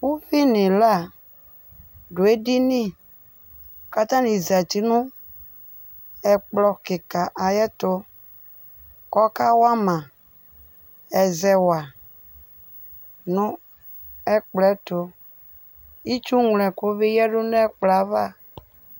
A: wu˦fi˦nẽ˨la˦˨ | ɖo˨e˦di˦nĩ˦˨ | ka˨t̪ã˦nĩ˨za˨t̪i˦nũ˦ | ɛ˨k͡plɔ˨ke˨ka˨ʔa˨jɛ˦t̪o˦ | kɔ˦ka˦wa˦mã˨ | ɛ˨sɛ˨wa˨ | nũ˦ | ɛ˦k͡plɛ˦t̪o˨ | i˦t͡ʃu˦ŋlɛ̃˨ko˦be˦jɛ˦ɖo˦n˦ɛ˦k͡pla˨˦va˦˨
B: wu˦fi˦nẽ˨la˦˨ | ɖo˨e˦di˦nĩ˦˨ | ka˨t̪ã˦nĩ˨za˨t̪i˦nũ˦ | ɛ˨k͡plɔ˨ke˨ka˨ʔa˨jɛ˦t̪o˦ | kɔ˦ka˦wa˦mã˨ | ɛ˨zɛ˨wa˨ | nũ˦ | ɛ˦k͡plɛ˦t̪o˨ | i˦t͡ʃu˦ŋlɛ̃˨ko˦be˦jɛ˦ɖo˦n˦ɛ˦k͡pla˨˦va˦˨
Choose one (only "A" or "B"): B